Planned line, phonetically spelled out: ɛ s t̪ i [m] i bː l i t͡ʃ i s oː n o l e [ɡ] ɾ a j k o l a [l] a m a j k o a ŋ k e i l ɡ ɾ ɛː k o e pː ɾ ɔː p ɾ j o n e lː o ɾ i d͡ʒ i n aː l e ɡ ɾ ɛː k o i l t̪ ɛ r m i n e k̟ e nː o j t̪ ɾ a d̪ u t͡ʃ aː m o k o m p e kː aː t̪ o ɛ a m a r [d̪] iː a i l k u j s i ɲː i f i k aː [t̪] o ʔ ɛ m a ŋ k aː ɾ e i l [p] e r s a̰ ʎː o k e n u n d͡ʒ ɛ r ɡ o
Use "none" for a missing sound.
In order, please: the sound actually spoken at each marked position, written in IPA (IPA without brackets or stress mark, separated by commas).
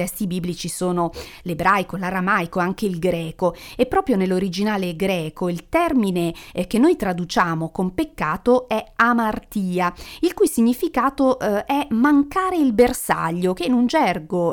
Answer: b, b, ɾ, t̪, t̪, b